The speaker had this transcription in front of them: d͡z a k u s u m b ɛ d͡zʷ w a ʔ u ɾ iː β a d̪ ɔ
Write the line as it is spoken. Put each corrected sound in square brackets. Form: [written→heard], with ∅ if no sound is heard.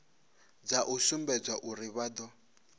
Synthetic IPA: d͡z a [k→ʔ] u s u m b ɛ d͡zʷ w a ʔ u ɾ [iː→i] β a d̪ ɔ